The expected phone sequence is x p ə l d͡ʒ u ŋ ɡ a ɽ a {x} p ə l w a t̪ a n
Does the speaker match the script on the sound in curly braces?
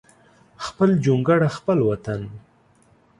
yes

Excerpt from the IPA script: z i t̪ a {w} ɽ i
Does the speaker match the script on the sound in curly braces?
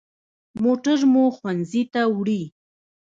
yes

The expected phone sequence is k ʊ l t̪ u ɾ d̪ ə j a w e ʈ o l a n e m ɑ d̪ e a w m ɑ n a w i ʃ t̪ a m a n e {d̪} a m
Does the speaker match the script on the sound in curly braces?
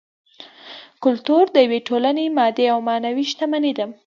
yes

